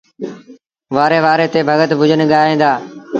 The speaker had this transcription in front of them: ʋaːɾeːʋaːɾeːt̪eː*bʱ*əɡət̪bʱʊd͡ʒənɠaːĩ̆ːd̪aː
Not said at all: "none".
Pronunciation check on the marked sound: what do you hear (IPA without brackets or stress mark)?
bʱ